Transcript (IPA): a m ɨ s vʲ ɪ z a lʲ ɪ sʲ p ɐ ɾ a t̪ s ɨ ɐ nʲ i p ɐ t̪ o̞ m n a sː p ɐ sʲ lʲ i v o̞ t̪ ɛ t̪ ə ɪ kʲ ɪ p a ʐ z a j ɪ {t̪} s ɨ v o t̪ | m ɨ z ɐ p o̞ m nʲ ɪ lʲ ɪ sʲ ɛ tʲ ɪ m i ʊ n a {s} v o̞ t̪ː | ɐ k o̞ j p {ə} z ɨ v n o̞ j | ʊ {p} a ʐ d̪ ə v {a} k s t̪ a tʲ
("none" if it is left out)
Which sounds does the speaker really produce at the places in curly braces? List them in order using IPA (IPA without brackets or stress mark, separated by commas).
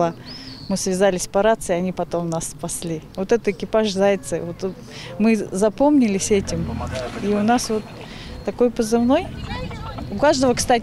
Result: t̪, s, ə, k, ə